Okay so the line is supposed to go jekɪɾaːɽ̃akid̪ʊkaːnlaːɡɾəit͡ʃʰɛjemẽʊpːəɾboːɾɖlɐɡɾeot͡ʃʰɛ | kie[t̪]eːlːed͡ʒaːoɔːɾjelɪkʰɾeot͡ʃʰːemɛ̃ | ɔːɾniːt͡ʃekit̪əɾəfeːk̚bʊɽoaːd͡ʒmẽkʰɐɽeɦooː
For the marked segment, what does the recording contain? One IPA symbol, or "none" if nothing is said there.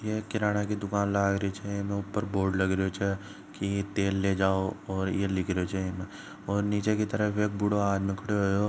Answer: t̪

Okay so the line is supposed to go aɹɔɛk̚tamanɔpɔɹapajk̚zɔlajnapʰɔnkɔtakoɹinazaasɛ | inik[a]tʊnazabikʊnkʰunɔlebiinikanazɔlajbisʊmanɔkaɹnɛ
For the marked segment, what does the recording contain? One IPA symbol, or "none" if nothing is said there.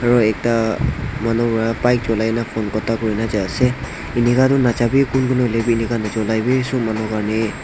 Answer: a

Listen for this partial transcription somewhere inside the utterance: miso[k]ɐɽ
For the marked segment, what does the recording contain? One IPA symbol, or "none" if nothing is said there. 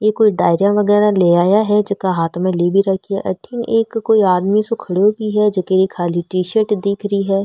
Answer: kʰ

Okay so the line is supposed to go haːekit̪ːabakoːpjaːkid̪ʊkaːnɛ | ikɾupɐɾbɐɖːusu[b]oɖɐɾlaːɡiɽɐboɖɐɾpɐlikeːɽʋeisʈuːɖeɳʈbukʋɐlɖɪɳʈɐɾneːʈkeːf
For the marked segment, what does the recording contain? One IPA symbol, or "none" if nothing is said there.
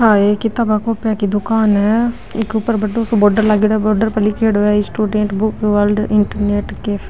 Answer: b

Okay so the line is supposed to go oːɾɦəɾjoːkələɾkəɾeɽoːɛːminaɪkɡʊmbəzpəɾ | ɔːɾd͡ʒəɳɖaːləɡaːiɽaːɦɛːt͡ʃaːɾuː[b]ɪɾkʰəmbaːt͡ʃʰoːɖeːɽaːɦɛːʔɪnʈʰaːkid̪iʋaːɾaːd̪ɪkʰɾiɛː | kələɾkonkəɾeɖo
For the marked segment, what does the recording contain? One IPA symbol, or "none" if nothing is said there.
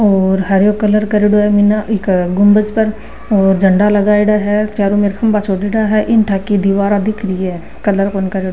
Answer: m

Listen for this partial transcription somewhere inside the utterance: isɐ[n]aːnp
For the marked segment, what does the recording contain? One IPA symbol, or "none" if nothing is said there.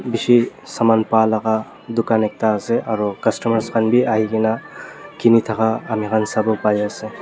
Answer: m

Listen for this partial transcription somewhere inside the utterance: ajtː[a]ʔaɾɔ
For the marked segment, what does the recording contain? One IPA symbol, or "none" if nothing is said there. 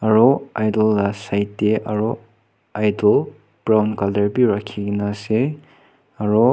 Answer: e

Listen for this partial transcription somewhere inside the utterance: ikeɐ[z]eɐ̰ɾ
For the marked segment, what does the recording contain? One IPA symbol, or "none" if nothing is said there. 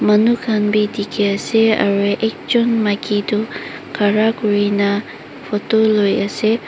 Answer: s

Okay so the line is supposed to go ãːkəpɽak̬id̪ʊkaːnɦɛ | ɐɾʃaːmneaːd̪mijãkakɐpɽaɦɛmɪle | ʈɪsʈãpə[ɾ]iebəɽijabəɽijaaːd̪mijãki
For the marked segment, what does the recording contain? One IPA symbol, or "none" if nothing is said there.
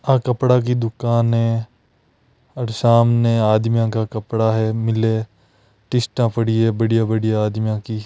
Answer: ɽ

